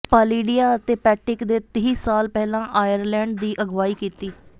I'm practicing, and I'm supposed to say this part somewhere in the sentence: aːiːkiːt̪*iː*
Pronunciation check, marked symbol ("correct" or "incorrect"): correct